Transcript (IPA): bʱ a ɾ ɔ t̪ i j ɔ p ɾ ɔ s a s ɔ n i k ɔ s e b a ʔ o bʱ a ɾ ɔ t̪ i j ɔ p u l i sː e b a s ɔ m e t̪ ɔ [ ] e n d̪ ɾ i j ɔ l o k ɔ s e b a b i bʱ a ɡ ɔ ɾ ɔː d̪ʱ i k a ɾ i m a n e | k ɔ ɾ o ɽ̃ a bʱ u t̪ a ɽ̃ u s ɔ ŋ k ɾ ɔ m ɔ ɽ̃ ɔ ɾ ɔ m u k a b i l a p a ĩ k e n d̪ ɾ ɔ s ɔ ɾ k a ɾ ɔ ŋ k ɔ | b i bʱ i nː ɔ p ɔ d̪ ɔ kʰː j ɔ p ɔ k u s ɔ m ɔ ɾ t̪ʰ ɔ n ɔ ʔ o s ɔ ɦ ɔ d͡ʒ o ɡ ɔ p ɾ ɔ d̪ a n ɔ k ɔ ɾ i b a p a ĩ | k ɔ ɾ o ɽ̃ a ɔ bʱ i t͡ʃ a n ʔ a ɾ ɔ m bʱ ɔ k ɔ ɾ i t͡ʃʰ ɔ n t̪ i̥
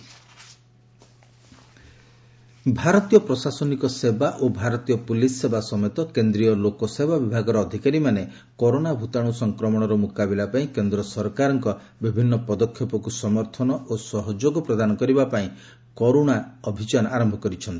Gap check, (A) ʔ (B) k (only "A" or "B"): B